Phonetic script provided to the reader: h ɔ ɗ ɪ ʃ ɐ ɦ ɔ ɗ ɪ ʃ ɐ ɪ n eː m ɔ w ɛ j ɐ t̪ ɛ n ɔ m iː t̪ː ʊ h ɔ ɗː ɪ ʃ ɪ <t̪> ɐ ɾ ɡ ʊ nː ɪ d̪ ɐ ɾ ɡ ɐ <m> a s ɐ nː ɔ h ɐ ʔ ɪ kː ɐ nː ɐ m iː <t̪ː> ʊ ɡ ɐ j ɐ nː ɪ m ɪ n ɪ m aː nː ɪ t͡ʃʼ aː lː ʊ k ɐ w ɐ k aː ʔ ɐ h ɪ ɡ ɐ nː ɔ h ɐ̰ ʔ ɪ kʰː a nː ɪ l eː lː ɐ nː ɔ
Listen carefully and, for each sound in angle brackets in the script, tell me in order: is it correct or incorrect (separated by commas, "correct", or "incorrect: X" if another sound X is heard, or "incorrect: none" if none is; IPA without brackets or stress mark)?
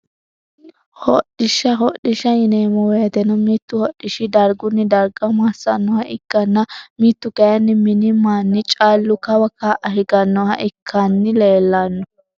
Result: incorrect: d̪, correct, correct